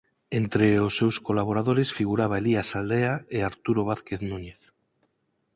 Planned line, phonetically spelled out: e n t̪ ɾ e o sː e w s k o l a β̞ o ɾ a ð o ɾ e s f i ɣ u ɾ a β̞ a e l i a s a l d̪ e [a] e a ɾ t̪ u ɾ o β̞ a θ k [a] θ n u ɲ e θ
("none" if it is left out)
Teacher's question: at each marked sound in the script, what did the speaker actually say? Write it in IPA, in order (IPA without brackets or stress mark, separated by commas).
a, e